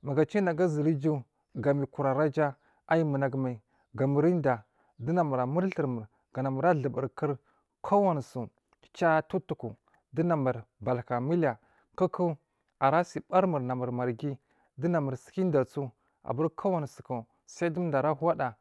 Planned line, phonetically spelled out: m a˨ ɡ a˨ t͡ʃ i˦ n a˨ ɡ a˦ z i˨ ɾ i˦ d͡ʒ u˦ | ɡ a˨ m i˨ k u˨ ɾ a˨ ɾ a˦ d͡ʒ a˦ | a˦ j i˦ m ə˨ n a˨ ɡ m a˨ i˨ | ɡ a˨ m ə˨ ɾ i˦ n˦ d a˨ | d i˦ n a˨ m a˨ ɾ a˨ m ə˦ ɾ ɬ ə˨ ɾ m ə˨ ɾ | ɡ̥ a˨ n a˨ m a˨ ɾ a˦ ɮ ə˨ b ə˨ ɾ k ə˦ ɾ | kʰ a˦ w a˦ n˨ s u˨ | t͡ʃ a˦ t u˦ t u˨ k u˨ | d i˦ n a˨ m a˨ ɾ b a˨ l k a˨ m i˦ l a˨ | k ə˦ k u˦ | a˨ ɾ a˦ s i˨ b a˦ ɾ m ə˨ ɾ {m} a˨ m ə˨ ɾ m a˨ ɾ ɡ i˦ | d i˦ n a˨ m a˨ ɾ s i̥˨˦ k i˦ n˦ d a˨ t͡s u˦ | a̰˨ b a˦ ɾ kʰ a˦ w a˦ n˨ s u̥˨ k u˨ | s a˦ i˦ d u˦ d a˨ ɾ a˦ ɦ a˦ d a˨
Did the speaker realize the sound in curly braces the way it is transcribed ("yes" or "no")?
no